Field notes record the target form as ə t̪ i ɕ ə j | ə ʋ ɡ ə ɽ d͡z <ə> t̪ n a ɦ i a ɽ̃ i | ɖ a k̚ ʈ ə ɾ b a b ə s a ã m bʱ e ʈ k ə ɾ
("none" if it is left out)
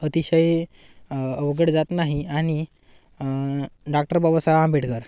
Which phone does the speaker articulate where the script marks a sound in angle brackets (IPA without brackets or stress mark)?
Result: a